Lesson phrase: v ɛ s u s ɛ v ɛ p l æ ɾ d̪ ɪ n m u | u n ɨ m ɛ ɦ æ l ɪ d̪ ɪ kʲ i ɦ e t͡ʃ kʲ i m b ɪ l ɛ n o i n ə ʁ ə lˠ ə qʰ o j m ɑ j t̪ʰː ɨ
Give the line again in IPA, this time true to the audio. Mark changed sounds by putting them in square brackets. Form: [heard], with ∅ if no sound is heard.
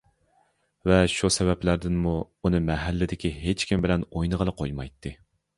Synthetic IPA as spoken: v ɛ [ʃ] u s ɛ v ɛ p l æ ɾ d̪ ɪ n m u | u n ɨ m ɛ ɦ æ [lː] ɪ d̪ ɪ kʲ i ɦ e t͡ʃ kʲ i m b ɪ l ɛ n o [j] n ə ʁ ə lˠ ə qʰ o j m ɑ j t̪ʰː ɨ